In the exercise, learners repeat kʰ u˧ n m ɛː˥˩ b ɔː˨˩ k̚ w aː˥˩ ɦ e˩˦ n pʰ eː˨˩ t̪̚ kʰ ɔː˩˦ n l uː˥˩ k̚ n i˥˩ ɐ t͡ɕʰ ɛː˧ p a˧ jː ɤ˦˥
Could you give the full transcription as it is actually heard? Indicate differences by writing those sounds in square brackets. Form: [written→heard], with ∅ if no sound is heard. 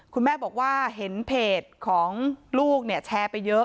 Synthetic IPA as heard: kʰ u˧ n m ɛː˥˩ b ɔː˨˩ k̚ w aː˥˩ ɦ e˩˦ n pʰ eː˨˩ t̪̚ kʰ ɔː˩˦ [n→ŋ] l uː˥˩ k̚ n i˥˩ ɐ t͡ɕʰ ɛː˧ p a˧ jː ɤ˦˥